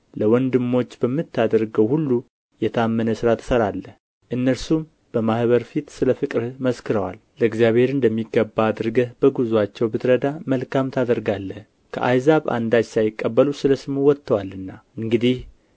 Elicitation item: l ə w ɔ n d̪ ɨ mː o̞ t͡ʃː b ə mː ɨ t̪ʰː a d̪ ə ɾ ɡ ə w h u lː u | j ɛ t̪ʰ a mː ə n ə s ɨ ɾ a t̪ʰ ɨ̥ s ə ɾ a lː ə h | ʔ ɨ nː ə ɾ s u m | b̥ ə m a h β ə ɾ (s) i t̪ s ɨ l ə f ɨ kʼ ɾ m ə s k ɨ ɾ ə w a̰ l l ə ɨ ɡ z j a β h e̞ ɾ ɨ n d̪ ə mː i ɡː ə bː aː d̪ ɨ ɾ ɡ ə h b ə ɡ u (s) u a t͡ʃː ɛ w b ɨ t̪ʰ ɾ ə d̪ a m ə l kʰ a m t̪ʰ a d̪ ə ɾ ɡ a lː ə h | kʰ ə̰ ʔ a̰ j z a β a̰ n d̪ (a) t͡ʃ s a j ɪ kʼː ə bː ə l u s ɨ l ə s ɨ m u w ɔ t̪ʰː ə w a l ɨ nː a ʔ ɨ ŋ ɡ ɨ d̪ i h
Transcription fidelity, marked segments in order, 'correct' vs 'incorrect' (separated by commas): incorrect, incorrect, correct